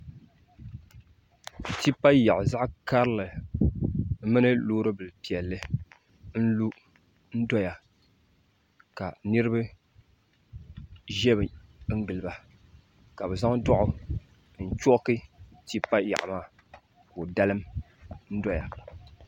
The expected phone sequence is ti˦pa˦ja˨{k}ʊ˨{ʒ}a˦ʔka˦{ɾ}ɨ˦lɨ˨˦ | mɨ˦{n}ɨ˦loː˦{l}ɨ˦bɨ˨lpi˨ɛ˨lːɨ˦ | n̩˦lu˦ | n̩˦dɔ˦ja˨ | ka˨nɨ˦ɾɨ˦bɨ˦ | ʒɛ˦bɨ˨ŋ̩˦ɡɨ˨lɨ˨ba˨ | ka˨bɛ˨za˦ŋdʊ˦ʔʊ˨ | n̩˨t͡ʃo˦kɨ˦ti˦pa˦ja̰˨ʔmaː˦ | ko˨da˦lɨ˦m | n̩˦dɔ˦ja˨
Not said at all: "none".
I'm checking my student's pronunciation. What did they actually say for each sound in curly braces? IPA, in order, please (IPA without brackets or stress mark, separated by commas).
ʔ, z, ɾ, n, ɾ